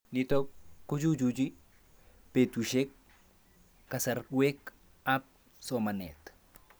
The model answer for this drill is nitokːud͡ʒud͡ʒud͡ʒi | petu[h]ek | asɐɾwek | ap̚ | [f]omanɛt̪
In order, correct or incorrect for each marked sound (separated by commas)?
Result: incorrect, incorrect